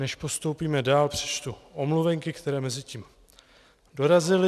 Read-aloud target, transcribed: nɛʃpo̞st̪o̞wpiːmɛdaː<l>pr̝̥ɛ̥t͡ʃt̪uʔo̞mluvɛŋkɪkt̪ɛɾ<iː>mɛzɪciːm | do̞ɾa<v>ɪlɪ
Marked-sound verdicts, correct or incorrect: correct, incorrect: ɛː, incorrect: z

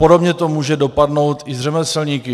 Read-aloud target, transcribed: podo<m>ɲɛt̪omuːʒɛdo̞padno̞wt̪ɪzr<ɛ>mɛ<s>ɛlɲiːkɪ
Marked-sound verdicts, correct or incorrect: incorrect: b, correct, correct

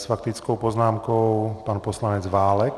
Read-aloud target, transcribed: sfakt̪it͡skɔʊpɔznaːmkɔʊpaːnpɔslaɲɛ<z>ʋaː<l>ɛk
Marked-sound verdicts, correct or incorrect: incorrect: d͡z, correct

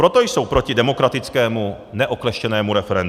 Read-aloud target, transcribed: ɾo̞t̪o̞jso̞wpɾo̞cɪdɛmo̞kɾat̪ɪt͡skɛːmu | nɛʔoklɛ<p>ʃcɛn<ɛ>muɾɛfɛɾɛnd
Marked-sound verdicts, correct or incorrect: incorrect: none, incorrect: ɛː

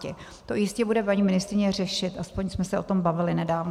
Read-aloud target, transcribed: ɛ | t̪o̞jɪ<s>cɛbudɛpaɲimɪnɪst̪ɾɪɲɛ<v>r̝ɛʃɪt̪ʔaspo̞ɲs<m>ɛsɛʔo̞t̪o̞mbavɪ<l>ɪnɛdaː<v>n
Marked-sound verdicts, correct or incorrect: correct, incorrect: none, correct, correct, correct

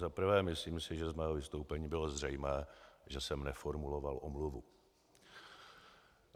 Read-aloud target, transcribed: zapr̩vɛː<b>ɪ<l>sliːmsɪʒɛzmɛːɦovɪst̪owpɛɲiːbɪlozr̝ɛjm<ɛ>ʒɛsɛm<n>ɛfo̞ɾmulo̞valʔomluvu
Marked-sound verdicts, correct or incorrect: incorrect: m, incorrect: none, incorrect: ɛː, correct

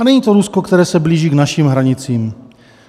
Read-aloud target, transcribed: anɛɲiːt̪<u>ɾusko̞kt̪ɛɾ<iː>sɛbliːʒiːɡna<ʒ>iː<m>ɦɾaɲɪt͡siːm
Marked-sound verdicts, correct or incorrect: incorrect: o, incorrect: ɛː, incorrect: ʃ, correct

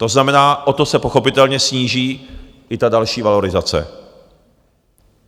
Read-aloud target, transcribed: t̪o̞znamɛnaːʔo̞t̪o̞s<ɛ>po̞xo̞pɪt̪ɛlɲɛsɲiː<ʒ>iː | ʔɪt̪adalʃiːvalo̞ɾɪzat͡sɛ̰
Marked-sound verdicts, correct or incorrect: correct, correct

